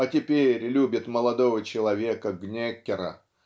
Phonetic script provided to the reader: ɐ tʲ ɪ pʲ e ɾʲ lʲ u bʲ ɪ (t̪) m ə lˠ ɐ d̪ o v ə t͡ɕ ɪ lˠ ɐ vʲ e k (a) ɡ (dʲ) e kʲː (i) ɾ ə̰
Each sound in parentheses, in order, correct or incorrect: correct, incorrect: ə, incorrect: nʲ, incorrect: ɪ

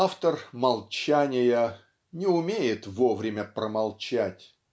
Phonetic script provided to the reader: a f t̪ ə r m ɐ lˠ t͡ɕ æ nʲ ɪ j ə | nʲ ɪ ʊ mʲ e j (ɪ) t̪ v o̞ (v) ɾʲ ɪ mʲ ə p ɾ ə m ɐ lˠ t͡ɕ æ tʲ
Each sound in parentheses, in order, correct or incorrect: correct, correct

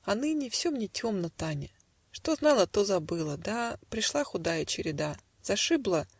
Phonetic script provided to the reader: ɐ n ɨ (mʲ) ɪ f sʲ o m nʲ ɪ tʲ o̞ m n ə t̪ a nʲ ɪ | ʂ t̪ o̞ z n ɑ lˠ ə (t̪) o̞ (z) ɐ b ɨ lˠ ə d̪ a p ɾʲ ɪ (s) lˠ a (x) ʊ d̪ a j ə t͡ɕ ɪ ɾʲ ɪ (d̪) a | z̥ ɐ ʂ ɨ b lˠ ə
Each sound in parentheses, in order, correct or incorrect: incorrect: nʲ, correct, correct, incorrect: ʂ, correct, correct

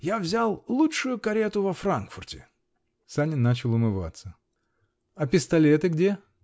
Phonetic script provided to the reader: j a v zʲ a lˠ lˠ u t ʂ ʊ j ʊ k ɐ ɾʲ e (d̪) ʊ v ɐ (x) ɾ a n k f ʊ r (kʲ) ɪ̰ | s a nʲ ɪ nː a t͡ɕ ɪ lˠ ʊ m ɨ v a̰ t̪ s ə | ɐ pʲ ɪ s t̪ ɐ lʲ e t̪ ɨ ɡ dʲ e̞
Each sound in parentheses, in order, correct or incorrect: incorrect: t̪, incorrect: f, incorrect: tʲ

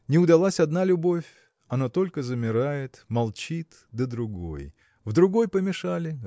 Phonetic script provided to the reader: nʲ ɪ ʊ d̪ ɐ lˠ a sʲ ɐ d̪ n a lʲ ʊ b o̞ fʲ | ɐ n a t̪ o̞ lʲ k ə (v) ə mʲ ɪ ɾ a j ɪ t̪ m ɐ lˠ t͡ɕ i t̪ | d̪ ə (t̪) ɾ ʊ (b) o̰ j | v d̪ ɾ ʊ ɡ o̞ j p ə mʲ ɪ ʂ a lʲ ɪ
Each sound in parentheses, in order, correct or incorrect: incorrect: z, incorrect: d̪, incorrect: ɡ

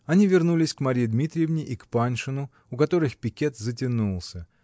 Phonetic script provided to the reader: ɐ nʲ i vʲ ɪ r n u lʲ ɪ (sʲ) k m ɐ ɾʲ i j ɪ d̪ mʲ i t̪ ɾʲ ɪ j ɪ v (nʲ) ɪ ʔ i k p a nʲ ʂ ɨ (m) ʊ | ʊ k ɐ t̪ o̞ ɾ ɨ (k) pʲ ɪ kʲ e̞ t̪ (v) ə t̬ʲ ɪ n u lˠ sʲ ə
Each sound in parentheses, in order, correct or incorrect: correct, correct, incorrect: n, incorrect: x, incorrect: z

